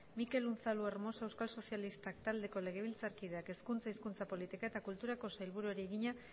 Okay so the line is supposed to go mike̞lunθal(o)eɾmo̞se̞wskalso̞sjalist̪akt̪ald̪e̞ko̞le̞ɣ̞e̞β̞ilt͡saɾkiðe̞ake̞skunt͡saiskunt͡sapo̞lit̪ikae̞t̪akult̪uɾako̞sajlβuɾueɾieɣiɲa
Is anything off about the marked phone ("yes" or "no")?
yes